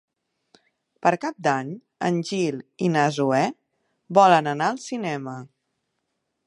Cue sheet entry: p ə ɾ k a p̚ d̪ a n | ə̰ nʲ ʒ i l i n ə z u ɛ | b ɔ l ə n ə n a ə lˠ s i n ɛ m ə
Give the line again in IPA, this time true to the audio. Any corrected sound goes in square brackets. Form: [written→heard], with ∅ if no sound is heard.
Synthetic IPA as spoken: p ə ɾ k a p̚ d̪ a [n→ɲ] | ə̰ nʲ ʒ i l i n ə z u ɛ | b ɔ l ə n ə n a ə lˠ s i n ɛ m ə